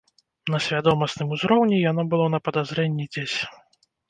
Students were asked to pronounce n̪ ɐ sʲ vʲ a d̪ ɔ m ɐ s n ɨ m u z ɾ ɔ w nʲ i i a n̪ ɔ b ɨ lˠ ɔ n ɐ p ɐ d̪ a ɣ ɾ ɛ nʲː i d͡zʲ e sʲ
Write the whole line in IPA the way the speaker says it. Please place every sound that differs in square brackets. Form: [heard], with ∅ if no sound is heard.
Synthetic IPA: n̪ ɐ sʲ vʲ a d̪ ɔ m ɐ s n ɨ m u z ɾ ɔ w nʲ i [j] a n̪ ɔ b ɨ lˠ ɔ n ɐ p ɐ d̪ a [z] ɾ ɛ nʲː i d͡zʲ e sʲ